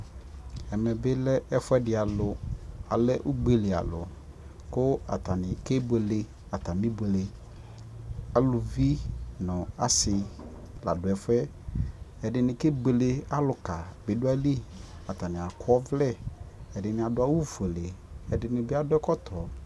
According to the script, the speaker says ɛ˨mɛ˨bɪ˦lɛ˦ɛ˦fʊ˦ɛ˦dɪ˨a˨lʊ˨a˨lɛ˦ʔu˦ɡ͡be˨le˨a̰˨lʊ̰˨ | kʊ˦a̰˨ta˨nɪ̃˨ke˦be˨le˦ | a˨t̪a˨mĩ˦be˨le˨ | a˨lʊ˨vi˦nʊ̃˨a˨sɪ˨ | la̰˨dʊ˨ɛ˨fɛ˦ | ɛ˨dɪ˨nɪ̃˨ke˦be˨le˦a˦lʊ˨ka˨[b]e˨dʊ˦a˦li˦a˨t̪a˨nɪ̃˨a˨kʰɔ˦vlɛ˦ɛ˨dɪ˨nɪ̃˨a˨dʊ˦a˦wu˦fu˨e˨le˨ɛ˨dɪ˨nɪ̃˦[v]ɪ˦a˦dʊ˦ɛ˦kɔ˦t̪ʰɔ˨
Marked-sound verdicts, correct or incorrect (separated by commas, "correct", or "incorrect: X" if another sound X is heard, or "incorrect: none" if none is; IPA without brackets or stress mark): correct, incorrect: b